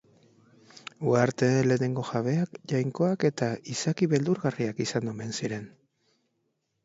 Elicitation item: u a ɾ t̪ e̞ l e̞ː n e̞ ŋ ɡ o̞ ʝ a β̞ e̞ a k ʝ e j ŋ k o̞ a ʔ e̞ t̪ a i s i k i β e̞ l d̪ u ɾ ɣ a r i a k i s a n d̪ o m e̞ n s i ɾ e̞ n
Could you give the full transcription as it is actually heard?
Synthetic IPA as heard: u a ɾ t̪ e̞ l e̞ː n e̞ ŋ ɡ o̞ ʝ a β̞ e̞ a k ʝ a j ŋ k o̞ a k e̞ t̪ a i s a k i β e̞ l d̪ u ɾ ɣ a r i a k i s a n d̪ o m e̞ n s i ɾ e̞ n